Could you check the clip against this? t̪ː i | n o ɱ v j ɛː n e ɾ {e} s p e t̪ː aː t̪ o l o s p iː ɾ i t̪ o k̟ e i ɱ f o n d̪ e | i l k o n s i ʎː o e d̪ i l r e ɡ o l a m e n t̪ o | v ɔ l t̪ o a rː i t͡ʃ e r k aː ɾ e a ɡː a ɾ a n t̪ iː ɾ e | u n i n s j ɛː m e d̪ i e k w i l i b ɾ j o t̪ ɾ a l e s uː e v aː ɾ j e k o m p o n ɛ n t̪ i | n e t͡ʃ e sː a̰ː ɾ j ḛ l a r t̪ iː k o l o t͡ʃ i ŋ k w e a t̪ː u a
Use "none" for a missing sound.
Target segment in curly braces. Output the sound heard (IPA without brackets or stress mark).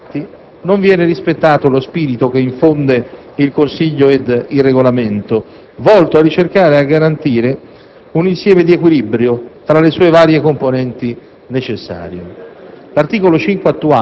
i